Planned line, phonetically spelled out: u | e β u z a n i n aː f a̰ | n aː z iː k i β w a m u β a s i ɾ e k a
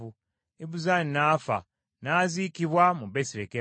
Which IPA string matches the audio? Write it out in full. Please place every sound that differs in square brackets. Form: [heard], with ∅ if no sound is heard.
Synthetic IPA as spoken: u | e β u z a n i n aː f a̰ | n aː z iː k i β w a m u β [e] s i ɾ e k [e]